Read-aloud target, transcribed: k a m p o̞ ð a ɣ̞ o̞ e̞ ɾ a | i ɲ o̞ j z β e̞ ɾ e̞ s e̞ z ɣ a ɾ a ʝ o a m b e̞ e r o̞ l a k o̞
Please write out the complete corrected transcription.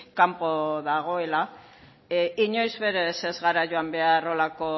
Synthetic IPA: k a m p o̞ ð a ɣ̞ o̞ e̞ l a | i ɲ o̞ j z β e̞ ɾ e̞ s e̞ z ɣ a ɾ a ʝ o a m b e̞ a r o̞ l a k o̞